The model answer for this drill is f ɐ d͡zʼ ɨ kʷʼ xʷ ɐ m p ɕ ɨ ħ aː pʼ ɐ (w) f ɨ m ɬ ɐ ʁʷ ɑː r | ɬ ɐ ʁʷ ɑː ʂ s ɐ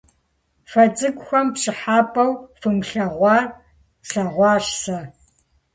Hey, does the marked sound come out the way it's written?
yes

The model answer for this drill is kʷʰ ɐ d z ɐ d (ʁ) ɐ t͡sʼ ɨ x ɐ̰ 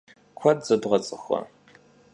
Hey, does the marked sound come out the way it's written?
yes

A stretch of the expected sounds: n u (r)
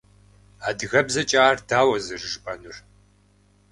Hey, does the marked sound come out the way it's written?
yes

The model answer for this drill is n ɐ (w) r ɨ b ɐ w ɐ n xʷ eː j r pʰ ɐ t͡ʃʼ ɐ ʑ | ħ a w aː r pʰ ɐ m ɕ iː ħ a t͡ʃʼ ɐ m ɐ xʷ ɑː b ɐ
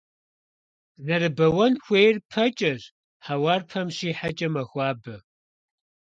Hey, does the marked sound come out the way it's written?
no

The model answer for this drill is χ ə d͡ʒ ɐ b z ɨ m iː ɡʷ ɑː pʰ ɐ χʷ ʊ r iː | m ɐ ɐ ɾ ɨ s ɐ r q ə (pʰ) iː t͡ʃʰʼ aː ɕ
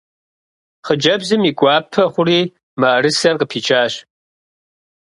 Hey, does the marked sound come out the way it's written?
yes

